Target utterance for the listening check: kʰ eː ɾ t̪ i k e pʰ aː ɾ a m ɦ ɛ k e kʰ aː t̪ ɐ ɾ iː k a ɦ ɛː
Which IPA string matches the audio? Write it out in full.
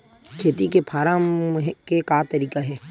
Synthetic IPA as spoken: kʰ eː t̪ i k e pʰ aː ɾ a m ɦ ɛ k e k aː t̪ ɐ ɾ iː k a ɦ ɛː